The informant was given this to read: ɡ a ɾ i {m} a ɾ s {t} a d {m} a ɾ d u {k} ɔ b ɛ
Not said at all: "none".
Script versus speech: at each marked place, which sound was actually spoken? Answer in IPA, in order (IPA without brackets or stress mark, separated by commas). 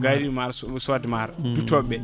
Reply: m, s, m, t